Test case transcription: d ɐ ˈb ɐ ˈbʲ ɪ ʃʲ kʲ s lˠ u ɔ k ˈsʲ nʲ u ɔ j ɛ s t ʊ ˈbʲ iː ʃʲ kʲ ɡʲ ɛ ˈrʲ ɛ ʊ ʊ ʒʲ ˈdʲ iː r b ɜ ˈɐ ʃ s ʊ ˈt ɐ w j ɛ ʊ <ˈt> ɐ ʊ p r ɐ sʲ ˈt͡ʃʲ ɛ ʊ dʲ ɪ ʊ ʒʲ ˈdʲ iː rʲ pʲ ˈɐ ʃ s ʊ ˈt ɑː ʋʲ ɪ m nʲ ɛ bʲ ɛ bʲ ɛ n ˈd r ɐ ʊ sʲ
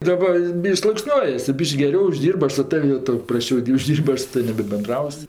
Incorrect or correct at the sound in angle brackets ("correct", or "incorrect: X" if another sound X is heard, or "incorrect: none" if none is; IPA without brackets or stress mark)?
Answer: correct